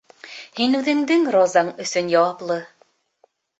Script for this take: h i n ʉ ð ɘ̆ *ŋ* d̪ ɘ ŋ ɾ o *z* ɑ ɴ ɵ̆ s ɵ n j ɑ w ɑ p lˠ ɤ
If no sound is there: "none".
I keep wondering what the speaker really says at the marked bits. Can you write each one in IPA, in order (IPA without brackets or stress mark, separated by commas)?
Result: ŋ, z